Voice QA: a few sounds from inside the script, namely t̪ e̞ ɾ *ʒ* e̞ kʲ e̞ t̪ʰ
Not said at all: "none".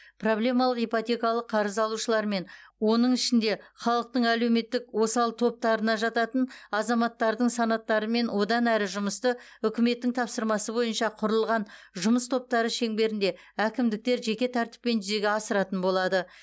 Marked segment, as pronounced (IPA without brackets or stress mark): ʒ